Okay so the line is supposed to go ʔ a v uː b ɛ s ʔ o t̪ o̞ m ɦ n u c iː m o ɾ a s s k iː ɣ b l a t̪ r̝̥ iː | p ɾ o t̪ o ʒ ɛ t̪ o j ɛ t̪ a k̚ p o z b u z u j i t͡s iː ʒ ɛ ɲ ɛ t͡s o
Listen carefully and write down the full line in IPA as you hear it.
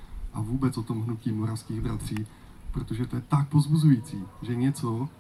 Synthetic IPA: ʔ a v uː b ɛ t͡s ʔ o t̪ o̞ m ɦ n u c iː m o ɾ a f s k iː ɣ b ɾ a t̪ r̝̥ iː | p ɾ o t̪ o ʒ ɛ t̪ o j ɛ t̪ a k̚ p o z b u z u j i t͡s iː ʒ ɛ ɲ ɛ t͡s o